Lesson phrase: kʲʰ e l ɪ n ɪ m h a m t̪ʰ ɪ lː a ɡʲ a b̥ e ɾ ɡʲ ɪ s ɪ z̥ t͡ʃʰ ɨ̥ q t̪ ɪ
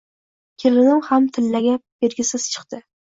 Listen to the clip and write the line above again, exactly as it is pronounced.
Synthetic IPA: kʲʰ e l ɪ n ɪ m h a m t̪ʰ ɪ lː a ɡʲ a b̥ e ɾ ɡʲ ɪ s ɪ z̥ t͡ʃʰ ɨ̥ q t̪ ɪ